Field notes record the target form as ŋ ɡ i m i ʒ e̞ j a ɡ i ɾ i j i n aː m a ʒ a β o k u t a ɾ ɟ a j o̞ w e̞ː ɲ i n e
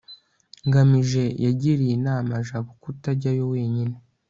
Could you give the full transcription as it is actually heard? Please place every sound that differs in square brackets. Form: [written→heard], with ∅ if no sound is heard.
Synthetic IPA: ŋ ɡ [i→a] m i ʒ e̞ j a [ɡ→ɟ] i ɾ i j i n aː m a ʒ a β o k u t a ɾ ɟ a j o̞ w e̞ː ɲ i n e